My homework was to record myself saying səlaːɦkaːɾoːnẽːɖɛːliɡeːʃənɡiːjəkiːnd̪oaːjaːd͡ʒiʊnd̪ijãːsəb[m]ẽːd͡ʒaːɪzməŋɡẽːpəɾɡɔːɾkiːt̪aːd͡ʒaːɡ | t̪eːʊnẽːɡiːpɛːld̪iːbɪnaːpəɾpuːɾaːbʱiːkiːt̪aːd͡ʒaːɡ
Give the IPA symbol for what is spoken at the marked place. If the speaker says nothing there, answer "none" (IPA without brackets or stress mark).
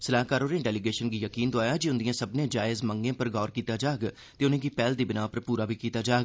n